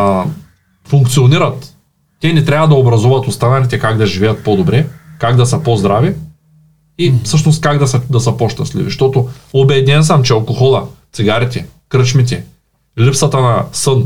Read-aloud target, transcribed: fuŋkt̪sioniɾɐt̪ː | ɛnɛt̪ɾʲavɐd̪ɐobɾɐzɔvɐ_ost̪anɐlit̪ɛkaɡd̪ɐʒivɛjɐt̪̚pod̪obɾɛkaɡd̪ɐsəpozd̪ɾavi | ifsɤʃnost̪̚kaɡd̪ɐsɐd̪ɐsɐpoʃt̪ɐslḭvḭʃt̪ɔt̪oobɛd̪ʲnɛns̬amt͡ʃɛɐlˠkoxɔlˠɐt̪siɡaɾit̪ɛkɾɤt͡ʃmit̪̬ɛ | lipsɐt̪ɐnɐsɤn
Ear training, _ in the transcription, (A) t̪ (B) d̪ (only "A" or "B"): A